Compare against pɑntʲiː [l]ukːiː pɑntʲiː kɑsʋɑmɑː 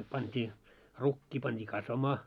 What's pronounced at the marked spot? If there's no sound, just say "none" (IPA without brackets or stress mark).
r